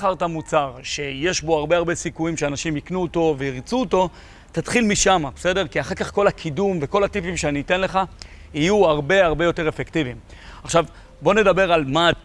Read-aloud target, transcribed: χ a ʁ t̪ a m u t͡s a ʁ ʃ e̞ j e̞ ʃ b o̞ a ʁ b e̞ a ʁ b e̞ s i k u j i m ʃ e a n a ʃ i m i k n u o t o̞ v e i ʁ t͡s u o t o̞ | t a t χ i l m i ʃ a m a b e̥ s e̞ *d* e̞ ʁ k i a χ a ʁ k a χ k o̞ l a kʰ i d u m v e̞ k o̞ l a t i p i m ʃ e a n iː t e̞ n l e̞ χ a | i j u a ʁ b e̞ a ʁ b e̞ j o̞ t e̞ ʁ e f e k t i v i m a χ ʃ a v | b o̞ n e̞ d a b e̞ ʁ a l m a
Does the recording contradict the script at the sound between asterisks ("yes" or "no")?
no